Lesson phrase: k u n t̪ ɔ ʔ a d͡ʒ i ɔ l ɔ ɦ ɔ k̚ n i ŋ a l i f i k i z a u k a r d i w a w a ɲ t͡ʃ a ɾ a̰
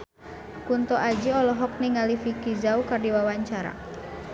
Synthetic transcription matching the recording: k u n t̪ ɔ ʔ a d͡ʒ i ɔ l ɔ ɦ ɔ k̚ n i ŋ a l i f i k i z a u k a r d i w a w a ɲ t͡ʃ a ɾ a̰